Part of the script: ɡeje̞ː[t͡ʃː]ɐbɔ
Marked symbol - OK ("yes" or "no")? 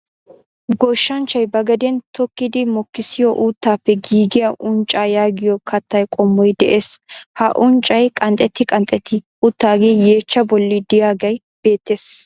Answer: yes